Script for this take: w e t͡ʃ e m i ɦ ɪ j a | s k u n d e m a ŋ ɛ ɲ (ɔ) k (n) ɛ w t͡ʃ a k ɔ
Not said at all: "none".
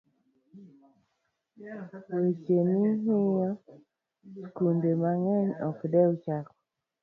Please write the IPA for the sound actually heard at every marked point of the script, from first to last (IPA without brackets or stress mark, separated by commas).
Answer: ɔ, d